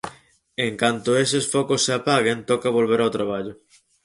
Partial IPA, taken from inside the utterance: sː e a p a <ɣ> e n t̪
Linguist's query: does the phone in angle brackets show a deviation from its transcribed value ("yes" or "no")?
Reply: no